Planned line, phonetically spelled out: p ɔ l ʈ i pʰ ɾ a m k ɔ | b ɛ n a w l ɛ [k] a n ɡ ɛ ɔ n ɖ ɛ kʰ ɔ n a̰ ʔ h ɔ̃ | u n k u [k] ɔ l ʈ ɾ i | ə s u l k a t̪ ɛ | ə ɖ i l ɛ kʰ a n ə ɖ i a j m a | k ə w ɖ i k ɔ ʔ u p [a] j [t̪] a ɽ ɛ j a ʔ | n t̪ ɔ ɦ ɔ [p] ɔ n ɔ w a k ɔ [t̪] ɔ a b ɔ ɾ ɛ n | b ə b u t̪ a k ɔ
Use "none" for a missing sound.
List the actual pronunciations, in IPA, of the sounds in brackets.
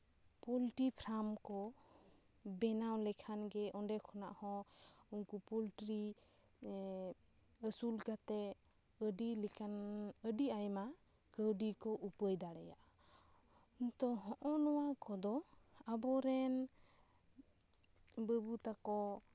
kʰ, p, ə, d̪, ʔ, d̪

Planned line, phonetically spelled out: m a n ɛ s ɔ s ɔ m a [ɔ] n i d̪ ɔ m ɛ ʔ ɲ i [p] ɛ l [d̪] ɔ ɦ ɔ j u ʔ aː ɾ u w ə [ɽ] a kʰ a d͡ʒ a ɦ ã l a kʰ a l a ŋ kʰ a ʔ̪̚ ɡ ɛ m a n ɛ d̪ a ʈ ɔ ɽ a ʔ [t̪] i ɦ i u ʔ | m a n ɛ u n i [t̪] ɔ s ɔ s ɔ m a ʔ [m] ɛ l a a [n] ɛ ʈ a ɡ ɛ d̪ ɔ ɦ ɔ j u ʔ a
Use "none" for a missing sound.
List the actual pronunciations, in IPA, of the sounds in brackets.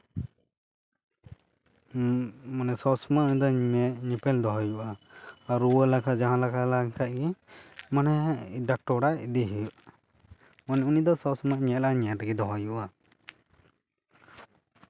u, p, d̪, l, d̪, d̪, ɲ, ɲ

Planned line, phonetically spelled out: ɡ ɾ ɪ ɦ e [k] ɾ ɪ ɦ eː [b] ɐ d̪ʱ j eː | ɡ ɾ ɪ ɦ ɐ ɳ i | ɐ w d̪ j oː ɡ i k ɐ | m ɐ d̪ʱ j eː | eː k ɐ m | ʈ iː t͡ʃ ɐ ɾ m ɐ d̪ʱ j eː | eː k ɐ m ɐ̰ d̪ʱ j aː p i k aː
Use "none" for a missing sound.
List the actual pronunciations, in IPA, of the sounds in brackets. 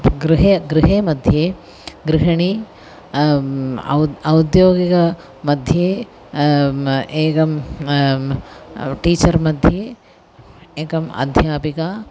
ɡ, m

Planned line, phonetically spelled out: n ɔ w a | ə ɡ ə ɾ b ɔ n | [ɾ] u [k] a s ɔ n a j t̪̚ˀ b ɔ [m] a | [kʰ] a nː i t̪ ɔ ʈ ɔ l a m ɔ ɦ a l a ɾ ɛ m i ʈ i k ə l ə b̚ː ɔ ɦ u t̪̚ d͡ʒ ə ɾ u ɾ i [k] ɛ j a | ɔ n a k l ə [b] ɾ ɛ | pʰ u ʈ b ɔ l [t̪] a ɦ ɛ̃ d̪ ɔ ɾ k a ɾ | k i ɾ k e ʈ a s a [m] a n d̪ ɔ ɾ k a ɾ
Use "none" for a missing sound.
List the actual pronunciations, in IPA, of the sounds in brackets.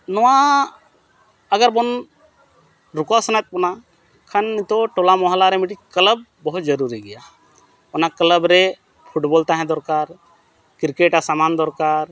ɾ, k, n, kʰ, ɡ, b, t̪, m

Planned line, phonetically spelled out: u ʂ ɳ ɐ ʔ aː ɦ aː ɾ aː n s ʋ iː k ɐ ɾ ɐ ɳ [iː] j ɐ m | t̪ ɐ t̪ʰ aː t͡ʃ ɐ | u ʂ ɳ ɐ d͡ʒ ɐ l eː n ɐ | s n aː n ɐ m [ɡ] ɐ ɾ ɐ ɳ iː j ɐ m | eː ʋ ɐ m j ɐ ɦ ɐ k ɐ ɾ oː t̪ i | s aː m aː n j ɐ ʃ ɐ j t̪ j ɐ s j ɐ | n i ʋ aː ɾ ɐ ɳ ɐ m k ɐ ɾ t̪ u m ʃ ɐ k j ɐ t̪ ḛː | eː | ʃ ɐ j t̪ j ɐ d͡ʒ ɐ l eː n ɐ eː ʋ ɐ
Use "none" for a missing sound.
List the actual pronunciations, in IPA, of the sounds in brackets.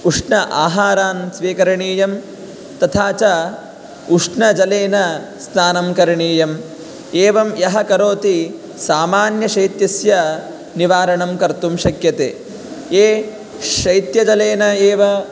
iː, k

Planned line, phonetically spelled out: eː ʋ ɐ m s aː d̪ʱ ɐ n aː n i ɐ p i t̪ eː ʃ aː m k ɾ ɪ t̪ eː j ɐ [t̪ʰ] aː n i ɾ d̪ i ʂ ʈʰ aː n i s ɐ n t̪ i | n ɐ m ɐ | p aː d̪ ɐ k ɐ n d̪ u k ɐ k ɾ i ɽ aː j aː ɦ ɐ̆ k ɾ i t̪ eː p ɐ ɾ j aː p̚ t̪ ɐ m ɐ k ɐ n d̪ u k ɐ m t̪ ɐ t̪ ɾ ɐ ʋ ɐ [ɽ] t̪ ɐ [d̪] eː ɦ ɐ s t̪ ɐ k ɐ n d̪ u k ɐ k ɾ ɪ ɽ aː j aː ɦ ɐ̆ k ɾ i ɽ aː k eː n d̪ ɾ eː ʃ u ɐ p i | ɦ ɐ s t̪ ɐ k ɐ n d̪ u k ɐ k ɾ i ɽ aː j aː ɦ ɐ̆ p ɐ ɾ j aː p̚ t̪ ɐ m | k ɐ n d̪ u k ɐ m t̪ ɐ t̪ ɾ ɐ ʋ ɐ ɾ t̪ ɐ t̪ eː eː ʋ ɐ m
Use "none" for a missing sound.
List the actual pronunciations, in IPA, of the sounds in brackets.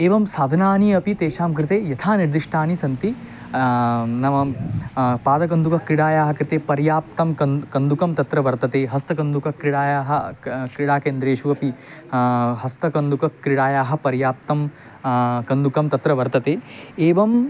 t̪ʰ, ɾ, t̪

